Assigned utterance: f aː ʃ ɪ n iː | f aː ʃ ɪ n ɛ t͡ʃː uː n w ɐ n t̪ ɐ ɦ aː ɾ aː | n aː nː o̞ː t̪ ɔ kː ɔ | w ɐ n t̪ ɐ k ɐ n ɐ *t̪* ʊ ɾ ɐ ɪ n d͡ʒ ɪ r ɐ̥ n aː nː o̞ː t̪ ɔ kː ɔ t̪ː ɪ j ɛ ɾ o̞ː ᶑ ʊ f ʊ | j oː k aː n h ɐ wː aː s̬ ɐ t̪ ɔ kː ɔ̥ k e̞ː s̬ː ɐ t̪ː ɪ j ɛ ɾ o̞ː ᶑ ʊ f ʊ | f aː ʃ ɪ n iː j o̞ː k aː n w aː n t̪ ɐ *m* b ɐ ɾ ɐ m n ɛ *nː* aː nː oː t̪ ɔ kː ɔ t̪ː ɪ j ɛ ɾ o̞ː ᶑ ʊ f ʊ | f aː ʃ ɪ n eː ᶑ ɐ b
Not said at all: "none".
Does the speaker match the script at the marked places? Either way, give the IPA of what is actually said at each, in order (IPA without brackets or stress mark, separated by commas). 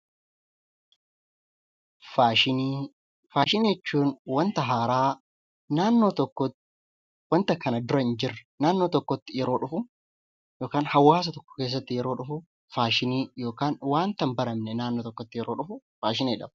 d̪, m, n